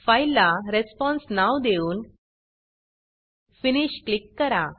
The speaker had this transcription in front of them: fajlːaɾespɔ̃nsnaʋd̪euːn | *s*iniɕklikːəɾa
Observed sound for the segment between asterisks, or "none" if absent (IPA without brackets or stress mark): f